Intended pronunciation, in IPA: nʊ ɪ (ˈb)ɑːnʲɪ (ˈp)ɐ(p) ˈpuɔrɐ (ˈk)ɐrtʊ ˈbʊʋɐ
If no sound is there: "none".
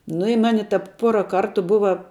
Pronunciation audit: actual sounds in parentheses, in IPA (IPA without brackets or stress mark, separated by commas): m, t, p, k